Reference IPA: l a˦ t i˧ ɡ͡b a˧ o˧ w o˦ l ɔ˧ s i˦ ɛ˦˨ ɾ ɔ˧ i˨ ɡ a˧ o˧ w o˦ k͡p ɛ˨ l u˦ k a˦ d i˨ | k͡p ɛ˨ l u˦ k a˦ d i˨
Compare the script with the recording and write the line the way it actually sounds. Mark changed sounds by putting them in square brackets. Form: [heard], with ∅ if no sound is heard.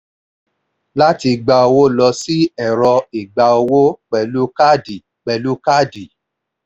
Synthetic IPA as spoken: l a˦ t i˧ ɡ͡b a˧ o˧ w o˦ l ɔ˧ s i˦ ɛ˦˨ ɾ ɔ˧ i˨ [ɡ͡b] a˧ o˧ w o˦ k͡p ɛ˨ l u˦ k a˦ d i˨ | k͡p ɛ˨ l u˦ k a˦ d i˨